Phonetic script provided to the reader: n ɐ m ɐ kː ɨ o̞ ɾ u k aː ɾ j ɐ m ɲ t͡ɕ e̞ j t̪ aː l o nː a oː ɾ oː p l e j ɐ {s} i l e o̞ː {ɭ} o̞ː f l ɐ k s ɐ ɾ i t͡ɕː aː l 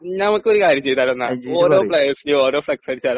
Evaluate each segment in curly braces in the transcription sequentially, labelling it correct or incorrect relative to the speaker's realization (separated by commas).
correct, incorrect